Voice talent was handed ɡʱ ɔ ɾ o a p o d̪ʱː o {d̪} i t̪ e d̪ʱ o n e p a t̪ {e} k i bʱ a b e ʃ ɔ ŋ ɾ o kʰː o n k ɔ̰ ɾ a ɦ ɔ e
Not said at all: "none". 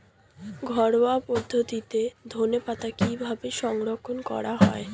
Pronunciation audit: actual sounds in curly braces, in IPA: t̪, a

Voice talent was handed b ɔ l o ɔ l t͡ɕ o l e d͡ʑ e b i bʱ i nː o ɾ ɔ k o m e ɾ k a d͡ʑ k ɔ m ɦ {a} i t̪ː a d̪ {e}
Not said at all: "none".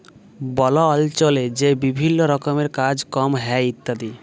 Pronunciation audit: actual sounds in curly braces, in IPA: ɛ, i

